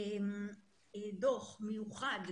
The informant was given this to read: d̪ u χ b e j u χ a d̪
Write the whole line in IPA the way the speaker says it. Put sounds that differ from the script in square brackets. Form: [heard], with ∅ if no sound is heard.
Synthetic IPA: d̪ [o] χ [m] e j u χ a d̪